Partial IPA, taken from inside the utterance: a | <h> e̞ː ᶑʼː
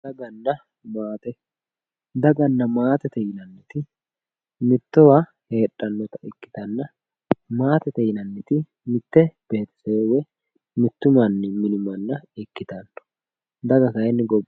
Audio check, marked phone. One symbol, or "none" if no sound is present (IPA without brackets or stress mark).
h